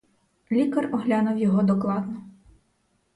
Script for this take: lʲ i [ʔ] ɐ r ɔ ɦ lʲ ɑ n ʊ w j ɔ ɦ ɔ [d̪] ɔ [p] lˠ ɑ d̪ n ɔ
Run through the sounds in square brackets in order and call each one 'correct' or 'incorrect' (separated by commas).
incorrect, correct, incorrect